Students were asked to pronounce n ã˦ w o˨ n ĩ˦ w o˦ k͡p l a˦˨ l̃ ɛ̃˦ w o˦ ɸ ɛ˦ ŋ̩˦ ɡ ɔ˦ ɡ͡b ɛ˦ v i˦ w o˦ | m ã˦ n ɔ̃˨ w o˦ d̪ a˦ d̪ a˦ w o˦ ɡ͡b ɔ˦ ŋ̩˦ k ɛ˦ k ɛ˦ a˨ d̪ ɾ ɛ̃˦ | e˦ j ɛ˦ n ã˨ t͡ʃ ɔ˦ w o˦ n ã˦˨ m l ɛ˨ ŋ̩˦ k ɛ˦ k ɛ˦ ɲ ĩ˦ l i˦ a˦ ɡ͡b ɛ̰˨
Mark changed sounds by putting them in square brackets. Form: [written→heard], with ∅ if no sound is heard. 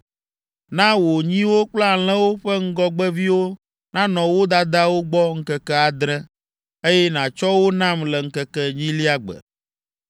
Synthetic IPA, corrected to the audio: n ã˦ w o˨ [n→ɲ] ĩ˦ w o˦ k͡p l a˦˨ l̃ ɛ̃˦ w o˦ ɸ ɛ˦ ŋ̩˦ ɡ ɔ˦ ɡ͡b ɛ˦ v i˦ w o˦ | [m→n] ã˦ n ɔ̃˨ w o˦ d̪ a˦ d̪ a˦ w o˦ ɡ͡b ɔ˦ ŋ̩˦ k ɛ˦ k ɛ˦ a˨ d̪ ɾ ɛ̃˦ | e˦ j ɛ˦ n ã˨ t͡ʃ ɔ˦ w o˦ n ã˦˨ m l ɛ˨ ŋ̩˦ k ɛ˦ k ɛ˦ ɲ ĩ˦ l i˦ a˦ ɡ͡b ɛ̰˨